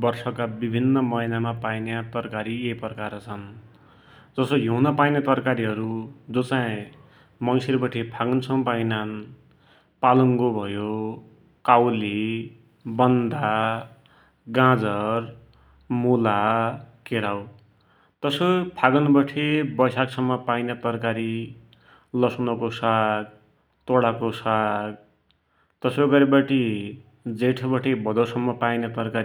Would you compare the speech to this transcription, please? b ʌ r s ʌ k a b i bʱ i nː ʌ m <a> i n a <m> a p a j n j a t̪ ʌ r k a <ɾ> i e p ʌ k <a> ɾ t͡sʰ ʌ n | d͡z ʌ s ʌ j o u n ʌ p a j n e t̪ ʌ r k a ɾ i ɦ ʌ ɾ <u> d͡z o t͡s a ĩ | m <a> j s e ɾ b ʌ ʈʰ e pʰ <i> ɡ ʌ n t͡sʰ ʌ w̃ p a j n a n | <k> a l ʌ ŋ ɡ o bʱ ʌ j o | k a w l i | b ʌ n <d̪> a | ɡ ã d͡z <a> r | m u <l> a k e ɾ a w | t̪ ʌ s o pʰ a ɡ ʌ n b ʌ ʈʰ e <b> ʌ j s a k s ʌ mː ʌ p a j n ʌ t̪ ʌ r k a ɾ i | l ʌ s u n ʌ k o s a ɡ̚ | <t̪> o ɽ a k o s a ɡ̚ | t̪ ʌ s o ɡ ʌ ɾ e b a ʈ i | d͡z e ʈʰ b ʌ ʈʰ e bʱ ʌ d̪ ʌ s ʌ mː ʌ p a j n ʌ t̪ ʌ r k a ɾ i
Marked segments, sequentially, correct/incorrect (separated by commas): incorrect, correct, correct, correct, correct, incorrect, incorrect, incorrect, correct, incorrect, correct, correct, correct